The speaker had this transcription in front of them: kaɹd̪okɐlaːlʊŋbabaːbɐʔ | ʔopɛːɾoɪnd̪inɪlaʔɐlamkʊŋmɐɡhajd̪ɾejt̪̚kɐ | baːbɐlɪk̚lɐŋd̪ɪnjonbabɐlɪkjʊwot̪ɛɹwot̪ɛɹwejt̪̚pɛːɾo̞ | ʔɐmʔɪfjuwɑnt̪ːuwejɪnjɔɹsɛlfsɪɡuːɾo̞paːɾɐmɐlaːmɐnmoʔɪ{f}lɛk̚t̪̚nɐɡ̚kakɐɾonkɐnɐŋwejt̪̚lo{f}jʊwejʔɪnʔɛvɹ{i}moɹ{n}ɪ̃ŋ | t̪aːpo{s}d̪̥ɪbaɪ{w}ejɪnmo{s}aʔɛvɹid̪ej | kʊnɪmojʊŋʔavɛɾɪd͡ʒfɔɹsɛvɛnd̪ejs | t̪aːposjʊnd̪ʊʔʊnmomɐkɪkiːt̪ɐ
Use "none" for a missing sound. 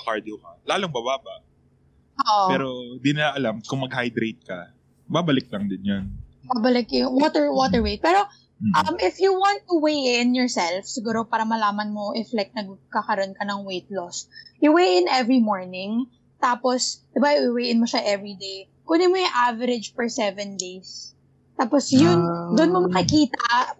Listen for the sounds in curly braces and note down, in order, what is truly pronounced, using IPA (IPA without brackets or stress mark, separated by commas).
f, s, i, n, s, w, ʃ